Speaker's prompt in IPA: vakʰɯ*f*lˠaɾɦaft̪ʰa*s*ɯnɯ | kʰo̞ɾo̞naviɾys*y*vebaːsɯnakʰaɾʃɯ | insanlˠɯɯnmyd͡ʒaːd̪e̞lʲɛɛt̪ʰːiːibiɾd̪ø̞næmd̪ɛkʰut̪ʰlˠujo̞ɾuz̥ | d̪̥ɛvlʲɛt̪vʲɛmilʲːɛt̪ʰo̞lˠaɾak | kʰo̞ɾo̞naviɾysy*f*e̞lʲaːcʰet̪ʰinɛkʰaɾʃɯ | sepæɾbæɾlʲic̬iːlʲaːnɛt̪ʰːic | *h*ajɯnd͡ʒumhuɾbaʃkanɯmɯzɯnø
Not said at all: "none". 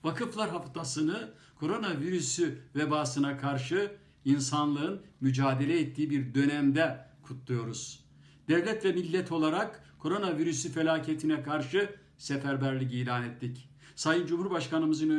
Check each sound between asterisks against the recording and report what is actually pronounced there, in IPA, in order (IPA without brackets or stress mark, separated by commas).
f, s, y, f, s